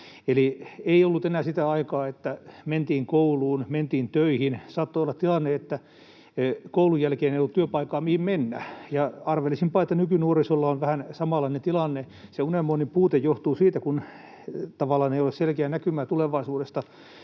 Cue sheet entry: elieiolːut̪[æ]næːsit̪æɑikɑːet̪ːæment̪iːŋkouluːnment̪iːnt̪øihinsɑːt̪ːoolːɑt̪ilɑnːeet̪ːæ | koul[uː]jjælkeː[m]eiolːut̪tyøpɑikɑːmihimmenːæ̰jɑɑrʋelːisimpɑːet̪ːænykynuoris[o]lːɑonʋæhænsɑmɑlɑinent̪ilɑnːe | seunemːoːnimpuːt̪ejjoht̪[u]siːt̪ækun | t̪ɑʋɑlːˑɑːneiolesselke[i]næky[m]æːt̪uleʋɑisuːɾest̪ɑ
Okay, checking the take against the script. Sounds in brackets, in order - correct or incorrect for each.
incorrect, incorrect, incorrect, correct, incorrect, incorrect, correct

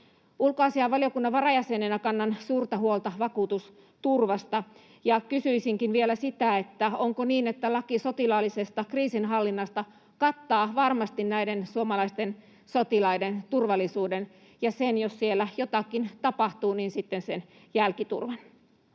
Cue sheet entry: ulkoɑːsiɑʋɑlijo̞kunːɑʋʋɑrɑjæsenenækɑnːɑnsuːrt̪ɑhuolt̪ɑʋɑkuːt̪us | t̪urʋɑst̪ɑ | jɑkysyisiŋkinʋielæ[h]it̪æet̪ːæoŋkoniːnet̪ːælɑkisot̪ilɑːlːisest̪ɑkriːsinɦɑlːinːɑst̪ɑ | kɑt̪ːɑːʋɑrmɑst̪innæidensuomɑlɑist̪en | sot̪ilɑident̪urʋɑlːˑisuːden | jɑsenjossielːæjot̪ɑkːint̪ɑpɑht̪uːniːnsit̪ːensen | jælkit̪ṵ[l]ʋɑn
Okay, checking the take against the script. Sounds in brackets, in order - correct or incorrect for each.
incorrect, incorrect

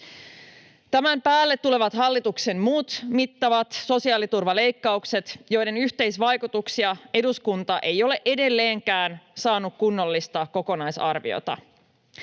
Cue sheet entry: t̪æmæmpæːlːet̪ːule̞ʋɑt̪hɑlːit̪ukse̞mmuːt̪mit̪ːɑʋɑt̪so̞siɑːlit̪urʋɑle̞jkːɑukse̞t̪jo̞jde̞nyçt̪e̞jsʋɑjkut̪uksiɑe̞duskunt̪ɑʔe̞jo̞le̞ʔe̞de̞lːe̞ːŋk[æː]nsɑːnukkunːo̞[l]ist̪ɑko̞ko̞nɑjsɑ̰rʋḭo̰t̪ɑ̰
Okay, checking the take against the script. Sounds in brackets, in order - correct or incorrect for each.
correct, incorrect

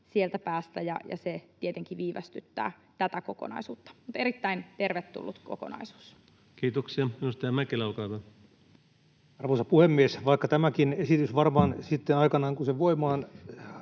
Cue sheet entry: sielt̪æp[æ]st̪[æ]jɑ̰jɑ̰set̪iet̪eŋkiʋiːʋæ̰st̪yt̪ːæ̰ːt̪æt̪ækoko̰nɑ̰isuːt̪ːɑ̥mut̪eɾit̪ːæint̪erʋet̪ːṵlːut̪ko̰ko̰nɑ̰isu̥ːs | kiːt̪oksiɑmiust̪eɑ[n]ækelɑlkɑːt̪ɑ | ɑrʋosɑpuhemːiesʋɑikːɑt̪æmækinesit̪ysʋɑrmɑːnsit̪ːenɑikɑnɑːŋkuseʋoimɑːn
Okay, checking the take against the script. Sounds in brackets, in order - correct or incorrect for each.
incorrect, correct, incorrect

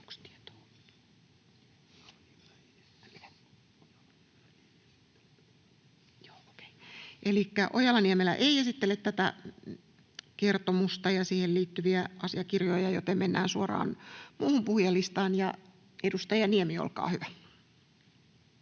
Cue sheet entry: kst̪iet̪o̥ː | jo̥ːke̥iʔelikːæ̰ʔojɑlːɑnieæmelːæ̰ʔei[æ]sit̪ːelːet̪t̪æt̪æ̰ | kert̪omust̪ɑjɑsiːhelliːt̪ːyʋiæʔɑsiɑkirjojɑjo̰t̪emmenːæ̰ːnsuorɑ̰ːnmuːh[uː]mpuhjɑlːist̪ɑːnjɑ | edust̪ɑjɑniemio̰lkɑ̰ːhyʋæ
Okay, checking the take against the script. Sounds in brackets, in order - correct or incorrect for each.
incorrect, incorrect

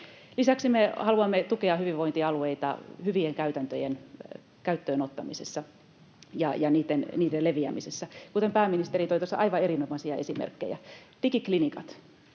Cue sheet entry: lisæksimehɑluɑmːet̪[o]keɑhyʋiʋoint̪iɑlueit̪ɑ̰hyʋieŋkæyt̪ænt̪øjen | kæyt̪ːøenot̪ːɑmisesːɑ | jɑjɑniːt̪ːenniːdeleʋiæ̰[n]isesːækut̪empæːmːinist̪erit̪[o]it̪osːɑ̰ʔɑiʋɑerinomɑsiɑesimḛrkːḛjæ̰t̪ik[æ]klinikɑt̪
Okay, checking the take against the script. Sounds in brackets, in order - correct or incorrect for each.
incorrect, incorrect, correct, incorrect

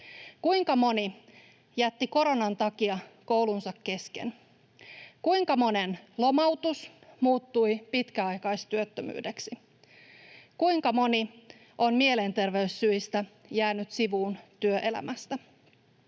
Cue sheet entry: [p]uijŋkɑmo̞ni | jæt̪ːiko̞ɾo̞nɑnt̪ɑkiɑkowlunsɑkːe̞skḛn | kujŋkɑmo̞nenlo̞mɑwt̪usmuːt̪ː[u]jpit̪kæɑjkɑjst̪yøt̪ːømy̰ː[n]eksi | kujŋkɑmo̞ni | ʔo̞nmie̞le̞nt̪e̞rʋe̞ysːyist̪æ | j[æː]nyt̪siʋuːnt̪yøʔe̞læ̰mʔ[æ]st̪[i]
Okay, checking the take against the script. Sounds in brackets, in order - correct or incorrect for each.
incorrect, correct, incorrect, correct, correct, incorrect

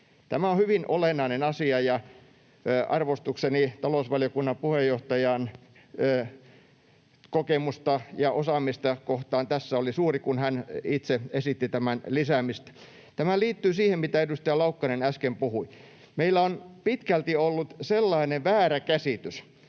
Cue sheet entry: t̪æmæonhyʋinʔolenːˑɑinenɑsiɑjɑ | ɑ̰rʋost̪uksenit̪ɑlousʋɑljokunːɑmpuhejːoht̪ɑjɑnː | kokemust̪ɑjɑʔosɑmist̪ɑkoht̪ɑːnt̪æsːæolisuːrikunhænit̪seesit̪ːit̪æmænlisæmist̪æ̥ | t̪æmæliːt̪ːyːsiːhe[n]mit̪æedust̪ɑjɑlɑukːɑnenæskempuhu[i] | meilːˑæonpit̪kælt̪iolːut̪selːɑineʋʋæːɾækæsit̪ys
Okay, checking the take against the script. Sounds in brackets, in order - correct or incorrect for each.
incorrect, correct

